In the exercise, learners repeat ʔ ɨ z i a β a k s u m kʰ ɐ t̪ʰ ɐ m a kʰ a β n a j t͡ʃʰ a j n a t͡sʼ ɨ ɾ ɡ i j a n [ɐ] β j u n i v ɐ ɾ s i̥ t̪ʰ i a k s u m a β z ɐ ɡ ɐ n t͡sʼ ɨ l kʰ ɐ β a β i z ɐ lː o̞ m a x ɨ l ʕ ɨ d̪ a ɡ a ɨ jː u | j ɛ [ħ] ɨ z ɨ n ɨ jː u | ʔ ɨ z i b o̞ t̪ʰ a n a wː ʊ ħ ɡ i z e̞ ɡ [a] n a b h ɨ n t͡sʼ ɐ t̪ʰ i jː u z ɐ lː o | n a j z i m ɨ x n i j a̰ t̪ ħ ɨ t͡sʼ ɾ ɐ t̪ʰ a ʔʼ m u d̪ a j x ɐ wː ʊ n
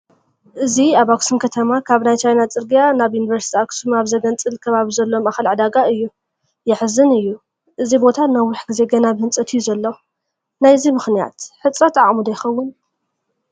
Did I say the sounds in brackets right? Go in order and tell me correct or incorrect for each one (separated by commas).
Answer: incorrect, correct, incorrect